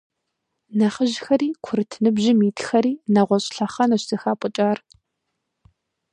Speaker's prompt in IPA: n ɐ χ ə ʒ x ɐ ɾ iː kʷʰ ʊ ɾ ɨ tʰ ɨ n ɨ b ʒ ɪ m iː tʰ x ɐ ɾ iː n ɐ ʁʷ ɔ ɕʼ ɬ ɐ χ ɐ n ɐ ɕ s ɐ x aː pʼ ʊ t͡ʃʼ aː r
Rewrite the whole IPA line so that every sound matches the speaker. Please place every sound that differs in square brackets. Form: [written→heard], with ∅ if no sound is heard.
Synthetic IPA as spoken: n ɐ χ ə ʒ x ɐ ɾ iː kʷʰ ʊ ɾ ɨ tʰ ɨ n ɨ b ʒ ɪ m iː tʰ x ɐ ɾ iː n ɐ ʁʷ ɔ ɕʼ ɬ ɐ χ ɐ n ɐ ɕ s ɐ x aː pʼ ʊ t͡ʃʼ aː r